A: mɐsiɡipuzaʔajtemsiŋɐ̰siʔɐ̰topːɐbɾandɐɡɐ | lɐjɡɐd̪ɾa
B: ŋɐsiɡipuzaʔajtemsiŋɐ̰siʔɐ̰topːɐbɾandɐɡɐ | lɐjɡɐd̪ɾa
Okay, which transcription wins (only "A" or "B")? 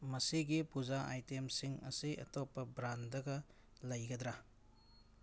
A